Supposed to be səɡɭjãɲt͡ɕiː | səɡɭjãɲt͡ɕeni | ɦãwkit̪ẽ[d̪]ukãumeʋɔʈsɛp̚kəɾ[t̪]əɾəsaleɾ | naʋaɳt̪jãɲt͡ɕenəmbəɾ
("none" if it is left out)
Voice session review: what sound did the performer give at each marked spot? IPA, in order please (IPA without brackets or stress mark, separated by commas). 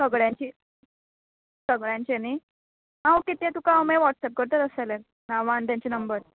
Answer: t̪, t̪